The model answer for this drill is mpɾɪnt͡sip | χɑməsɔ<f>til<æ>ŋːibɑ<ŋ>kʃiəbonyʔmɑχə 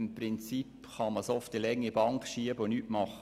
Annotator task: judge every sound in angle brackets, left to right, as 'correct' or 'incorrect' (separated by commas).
correct, incorrect, correct